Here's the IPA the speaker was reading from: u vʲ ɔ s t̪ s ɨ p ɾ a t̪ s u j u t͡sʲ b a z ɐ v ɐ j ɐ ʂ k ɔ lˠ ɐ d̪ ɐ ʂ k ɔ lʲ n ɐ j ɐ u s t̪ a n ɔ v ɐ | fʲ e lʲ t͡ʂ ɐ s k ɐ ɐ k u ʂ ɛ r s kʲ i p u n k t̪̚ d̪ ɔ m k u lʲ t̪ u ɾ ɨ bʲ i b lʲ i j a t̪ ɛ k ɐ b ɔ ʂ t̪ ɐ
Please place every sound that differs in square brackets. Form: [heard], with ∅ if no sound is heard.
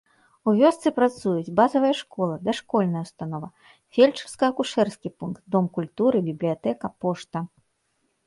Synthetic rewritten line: u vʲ ɔ s t̪ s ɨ p ɾ a t̪ s u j u t͡sʲ b a z ɐ v ɐ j ɐ ʂ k ɔ lˠ ɐ d̪ ɐ ʂ k ɔ lʲ n ɐ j ɐ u s t̪ a n ɔ v ɐ | fʲ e lʲ t͡ʂ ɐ s k ɐ ɐ k u ʂ ɛ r s kʲ i p u n k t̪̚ d̪ ɔ m k u lʲ t̪ u ɾ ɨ bʲ i b lʲ i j a t̪ ɛ k ɐ [p] ɔ ʂ t̪ ɐ